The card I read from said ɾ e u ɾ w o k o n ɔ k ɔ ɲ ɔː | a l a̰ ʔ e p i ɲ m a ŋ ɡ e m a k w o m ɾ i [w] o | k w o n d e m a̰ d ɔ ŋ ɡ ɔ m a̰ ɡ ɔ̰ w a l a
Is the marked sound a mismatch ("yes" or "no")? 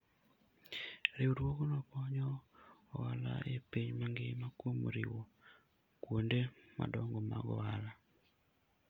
no